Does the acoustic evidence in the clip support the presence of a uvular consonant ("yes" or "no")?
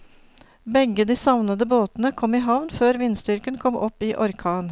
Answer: no